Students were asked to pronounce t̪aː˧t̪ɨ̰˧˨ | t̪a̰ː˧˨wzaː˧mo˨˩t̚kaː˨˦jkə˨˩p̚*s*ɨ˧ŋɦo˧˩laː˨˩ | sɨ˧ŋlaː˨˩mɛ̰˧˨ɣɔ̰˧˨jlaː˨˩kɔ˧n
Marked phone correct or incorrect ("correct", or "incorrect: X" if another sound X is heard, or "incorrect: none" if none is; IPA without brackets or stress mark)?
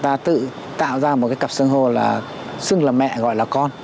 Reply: correct